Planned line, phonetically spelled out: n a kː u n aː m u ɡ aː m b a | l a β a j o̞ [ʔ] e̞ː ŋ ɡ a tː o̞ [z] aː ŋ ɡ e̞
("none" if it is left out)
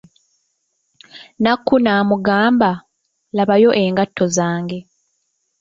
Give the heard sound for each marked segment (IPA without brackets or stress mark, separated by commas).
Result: ʔ, z